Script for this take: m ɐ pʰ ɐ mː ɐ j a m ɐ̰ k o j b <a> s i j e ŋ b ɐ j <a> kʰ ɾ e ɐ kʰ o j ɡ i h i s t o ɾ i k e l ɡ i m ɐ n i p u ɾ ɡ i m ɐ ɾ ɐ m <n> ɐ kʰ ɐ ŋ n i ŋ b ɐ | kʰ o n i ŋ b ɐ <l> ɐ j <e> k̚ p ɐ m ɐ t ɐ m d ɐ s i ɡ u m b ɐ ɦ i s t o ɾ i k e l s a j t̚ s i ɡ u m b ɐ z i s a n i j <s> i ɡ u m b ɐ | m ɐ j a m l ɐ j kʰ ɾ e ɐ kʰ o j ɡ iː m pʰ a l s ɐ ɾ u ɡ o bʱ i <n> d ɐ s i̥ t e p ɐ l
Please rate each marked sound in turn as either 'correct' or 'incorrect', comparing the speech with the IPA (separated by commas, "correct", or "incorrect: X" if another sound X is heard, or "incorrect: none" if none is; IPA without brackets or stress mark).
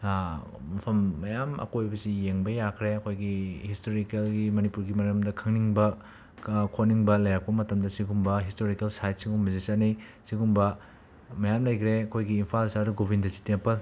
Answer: incorrect: ɐ, correct, incorrect: d, correct, incorrect: a, correct, correct